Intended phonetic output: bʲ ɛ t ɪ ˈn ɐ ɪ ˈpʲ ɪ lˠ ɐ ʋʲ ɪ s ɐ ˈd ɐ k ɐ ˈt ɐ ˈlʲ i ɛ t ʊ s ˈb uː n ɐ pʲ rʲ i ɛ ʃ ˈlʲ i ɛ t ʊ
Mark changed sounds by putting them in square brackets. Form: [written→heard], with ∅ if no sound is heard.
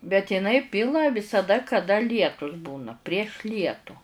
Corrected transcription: bʲ ɛ t ɪ ˈn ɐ ɪ ˈpʲ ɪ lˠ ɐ ʋʲ ɪ s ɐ ˈd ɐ k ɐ [ˈt→ˈd] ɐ ˈlʲ i ɛ t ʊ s ˈb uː n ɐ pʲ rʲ i ɛ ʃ ˈlʲ i ɛ t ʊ